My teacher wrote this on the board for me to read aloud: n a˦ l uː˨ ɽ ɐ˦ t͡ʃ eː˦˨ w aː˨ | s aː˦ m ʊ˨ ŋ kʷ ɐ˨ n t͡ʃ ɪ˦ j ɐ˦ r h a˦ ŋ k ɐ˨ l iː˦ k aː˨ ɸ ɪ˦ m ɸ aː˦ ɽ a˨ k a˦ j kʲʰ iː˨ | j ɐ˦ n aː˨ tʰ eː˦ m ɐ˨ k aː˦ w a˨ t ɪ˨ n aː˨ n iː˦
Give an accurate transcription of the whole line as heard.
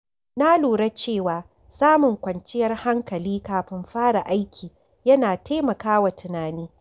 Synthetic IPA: n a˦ l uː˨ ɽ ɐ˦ t͡ʃ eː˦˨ w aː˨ | s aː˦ m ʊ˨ ŋ kʷ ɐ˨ n t͡ʃ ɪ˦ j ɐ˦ r h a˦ ŋ k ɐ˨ l iː˦ k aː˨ ɸ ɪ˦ m ɸ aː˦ ɽ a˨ ʔ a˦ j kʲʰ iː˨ | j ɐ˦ n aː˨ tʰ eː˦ m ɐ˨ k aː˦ w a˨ t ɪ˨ n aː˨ n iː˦